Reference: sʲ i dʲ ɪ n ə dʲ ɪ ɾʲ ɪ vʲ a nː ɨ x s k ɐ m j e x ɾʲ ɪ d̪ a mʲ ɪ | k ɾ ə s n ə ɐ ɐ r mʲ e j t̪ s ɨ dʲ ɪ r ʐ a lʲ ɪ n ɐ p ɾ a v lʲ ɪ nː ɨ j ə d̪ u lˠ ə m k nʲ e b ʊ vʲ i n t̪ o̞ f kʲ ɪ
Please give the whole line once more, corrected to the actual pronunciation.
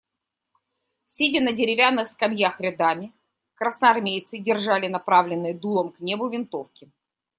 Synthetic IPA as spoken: sʲ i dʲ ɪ n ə dʲ ɪ ɾʲ ɪ vʲ a nː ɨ x s k ɐ m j a x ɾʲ ɪ d̪ a mʲ ɪ | k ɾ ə s n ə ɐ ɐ r mʲ e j t̪ s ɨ dʲ ɪ r ʐ a lʲ ɪ n ɐ p ɾ a v lʲ ɪ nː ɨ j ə d̪ u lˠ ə m k nʲ e b ʊ vʲ ɪ n t̪ o̞ f kʲ ɪ

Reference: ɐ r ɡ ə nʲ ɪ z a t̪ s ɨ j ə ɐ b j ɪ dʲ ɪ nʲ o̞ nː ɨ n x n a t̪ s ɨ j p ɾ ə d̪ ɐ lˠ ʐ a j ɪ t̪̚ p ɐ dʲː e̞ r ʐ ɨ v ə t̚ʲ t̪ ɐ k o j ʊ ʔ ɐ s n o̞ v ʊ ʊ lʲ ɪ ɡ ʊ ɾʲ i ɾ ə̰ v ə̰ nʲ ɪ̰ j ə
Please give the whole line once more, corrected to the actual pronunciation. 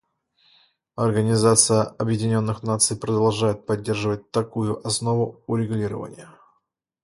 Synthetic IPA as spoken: ɐ r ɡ ə nʲ ɪ z a t̪ s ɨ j ə ɐ b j ɪ dʲ ɪ nʲ o̞ nː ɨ x n a t̪ s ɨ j p ɾ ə d̪ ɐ lˠ ʐ a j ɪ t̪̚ p ɐ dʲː e̞ r ʐ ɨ v ə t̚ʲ t̪ ɐ k u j ʊ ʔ ɐ s n o̞ v ʊ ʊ ɾʲ ɪ ɡ ʊ lʲ i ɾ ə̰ v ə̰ nʲ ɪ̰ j ə

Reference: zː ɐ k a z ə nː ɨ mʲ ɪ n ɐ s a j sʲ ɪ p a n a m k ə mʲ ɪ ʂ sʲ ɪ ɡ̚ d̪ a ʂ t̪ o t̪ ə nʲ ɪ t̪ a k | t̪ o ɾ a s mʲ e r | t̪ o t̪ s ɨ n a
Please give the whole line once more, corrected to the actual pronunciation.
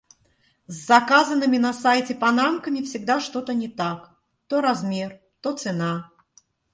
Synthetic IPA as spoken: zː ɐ k a z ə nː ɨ mʲ ɪ n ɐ s a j tʲ ɪ p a n a m k ə mʲ ɪ f sʲ ɪ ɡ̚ d̪ a ʂ t̪ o t̪ ə nʲ ɪ t̪ a k | t̪ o ɾ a z mʲ e r | t̪ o t̪ s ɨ n a

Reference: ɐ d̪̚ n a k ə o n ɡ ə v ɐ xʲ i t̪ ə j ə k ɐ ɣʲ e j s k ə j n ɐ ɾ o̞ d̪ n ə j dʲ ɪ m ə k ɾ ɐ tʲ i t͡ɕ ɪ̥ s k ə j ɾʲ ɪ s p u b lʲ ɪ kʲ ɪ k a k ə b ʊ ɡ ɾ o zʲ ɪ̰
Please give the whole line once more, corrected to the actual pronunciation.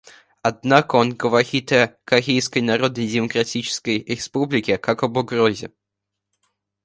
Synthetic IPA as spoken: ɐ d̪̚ n a k ə o n ɡ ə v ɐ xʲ i t̪ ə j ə k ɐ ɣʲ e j s k ə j n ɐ ɾ o̞ d̪ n ə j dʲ ɪ m ə k ɾ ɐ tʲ i t͡ɕ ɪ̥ s k ə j ɾʲ ɪ s p u b lʲ ɪ kʲ ɪ k a k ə b ʊ ɡ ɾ o zʲ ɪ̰

